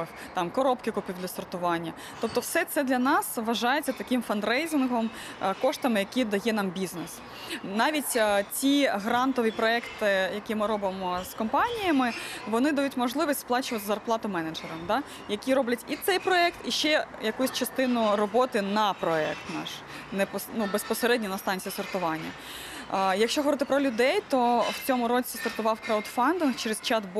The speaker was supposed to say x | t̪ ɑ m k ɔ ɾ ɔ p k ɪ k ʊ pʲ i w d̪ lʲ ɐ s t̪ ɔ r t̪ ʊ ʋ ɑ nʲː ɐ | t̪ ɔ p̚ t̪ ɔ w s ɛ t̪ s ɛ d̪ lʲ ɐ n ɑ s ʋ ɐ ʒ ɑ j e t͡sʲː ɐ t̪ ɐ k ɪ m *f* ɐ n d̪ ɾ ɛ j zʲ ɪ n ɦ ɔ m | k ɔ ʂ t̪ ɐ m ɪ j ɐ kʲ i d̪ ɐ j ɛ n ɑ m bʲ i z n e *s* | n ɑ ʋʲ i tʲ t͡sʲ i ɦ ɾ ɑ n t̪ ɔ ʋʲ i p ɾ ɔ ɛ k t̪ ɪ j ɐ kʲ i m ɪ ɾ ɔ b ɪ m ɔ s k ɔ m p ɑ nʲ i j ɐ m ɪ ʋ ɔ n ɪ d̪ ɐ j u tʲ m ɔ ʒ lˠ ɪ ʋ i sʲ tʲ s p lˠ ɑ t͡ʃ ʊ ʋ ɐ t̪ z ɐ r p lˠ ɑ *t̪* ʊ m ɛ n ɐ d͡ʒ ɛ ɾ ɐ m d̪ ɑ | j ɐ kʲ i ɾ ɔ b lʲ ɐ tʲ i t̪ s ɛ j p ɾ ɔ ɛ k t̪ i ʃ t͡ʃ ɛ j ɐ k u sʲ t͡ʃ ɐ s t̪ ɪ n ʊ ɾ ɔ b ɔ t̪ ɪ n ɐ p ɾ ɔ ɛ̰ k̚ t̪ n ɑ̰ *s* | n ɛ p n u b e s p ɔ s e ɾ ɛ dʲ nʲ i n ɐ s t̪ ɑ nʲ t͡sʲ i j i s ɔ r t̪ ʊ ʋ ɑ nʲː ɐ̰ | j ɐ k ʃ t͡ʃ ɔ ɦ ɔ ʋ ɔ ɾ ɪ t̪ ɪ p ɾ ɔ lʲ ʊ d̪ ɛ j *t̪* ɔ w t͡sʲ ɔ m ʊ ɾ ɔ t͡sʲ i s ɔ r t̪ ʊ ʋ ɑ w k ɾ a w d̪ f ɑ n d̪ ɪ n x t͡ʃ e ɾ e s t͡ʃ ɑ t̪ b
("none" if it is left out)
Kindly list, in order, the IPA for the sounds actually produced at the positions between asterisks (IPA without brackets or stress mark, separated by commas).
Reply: f, s, t̪, ʃ, t̪